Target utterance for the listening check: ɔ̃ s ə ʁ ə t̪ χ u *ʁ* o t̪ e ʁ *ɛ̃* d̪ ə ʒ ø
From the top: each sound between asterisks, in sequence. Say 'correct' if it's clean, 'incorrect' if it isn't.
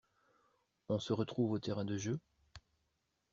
incorrect: v, correct

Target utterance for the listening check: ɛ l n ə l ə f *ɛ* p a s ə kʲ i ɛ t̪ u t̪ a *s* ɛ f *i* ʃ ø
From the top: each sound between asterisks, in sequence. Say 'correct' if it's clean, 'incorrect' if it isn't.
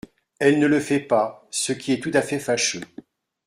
correct, incorrect: f, incorrect: a

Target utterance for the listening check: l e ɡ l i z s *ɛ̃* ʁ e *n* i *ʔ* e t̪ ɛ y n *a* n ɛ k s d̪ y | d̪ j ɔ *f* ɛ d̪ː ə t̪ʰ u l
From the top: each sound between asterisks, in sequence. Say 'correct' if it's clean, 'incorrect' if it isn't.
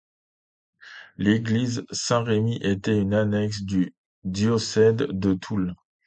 correct, incorrect: m, correct, correct, incorrect: s

